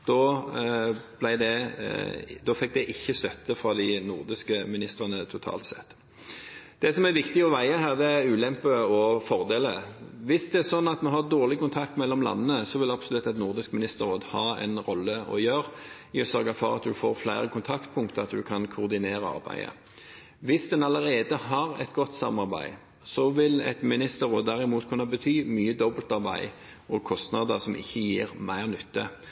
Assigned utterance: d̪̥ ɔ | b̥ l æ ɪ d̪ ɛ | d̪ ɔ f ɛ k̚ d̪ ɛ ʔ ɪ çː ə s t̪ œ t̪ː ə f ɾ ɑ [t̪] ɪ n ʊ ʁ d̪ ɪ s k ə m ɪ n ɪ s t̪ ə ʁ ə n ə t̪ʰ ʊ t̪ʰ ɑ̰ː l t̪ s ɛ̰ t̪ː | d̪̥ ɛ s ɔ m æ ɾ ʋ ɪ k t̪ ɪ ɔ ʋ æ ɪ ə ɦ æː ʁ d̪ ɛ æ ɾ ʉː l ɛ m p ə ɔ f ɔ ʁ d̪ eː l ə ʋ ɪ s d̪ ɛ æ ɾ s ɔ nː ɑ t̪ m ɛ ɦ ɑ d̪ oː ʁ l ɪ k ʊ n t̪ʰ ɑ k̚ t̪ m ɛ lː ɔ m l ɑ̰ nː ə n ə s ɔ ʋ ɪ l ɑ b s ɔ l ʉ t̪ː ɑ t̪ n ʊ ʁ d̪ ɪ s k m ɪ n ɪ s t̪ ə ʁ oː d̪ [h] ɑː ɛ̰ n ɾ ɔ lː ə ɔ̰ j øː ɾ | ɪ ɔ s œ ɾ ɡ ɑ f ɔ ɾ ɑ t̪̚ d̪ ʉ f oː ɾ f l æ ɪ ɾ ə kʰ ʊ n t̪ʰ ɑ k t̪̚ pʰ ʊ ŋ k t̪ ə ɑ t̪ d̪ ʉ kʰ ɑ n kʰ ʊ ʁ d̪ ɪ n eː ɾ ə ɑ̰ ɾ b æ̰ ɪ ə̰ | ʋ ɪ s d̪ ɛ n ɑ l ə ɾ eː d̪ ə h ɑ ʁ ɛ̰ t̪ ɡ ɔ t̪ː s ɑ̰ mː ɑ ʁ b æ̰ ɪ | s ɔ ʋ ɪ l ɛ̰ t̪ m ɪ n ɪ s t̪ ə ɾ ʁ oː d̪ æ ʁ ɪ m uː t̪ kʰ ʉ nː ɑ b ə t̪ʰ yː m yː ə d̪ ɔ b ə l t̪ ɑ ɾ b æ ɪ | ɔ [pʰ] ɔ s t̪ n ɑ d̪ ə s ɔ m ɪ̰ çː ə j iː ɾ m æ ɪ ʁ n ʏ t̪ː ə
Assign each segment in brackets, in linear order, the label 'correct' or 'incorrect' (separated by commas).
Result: incorrect, correct, incorrect